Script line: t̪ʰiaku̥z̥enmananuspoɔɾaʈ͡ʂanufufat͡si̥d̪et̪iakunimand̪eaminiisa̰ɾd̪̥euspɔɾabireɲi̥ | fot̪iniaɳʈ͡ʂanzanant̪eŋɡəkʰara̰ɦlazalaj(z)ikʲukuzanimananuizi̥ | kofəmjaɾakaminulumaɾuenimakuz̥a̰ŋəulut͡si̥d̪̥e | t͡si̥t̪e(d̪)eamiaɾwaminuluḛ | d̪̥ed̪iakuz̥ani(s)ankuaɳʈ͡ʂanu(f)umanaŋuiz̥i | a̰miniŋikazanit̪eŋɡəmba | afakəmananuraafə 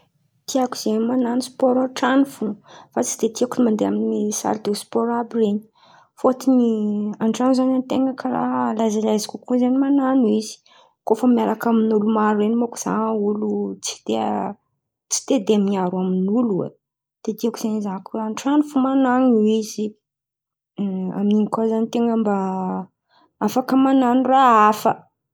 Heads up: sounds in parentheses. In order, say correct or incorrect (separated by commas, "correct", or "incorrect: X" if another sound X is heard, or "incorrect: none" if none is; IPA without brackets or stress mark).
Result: correct, correct, incorrect: z, correct